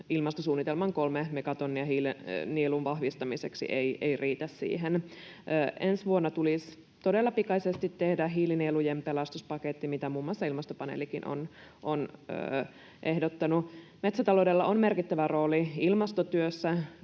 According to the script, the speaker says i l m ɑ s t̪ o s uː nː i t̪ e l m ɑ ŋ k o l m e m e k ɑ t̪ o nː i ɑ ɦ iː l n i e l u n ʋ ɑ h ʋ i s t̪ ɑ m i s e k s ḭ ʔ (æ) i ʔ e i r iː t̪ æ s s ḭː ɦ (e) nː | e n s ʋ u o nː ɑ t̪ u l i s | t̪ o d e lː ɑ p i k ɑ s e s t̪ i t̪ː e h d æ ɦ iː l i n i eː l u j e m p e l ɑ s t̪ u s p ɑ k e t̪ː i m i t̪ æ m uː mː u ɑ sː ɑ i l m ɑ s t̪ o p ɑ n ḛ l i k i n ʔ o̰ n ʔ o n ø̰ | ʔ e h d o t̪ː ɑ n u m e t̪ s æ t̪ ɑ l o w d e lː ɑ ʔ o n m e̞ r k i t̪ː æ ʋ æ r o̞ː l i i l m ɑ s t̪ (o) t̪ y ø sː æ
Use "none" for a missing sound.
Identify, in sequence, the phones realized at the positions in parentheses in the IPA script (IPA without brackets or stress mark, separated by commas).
e, e, o